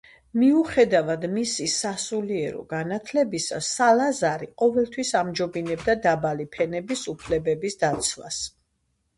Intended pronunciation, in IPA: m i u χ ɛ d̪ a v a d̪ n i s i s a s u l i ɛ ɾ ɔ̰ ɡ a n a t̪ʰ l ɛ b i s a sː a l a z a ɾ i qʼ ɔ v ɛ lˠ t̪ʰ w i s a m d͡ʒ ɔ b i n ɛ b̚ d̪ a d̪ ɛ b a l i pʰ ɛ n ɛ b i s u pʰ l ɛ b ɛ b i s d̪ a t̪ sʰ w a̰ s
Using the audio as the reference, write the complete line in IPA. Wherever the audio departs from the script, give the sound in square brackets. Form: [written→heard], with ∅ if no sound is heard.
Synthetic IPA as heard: m i u χ ɛ d̪ a v a d̪ [n→m] i s i s a s u l i ɛ ɾ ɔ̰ ɡ a n a t̪ʰ l ɛ b i s a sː a l a z a ɾ i qʼ ɔ v ɛ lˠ t̪ʰ w i s a m d͡ʒ ɔ b i n ɛ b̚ d̪ a d̪ [ɛ→a] b a l i pʰ ɛ n ɛ b i s u pʰ l ɛ b ɛ b i s d̪ a t̪ sʰ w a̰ s